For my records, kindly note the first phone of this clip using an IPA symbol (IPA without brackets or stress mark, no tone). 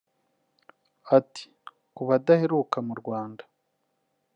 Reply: a